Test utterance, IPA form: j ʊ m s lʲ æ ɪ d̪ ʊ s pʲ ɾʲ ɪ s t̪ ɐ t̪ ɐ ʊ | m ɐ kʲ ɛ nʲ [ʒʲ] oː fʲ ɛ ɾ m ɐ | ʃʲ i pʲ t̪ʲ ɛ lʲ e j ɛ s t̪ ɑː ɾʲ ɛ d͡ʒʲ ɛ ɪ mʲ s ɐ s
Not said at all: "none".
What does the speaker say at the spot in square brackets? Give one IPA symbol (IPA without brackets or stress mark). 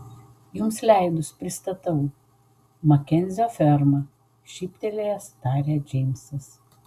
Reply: zʲ